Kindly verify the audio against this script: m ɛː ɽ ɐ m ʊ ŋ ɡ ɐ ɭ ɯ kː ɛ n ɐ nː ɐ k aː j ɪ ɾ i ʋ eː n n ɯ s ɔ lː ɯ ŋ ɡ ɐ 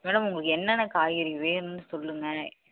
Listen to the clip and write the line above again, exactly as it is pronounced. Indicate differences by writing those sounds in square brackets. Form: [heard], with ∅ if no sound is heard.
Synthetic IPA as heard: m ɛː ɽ ɐ m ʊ ŋ ɡ ɐ ɭ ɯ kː ɛ [nː] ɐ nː ɐ k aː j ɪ ɾ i ʋ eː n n ɯ s ɔ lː ɯ ŋ ɡ ɐ